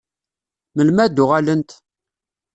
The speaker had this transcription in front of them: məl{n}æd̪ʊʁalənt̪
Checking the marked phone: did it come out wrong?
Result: yes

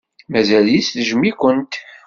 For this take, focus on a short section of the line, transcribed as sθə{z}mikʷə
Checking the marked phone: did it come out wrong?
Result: yes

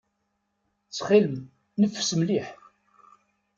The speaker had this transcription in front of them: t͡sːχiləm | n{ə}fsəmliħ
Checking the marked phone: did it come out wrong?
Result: no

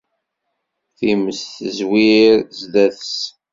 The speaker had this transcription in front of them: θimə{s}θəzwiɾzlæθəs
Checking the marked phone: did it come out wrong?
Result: no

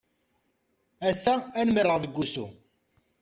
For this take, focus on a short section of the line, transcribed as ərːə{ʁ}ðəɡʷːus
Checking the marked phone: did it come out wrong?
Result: no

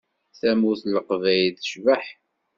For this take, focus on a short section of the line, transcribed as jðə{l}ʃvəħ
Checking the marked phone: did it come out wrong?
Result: yes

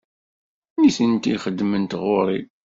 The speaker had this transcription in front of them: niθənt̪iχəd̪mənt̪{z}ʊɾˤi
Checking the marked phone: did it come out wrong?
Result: yes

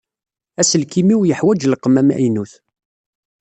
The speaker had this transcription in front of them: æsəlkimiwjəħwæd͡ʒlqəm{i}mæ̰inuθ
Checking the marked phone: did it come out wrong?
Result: yes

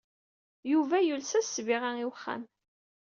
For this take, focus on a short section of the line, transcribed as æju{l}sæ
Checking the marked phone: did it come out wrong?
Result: no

